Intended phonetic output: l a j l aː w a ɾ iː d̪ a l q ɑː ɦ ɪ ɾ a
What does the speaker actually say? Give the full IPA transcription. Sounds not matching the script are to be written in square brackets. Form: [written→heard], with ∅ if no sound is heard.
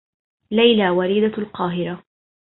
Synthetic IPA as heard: l a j l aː w a ɾ iː d̪ a l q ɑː ɦ ɪ ɾ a